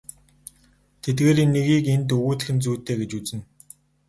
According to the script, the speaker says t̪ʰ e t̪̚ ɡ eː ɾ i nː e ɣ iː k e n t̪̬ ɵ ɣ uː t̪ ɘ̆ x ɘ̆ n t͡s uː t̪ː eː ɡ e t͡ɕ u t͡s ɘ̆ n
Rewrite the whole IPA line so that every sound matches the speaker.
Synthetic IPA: t̪ʰ e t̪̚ ɡ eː ɾ i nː e ɣ iː k e n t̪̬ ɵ ɣ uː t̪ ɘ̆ x ɘ̆ n t͡s uː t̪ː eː ɡ e t͡ɕ u t͡s ɘ̆ n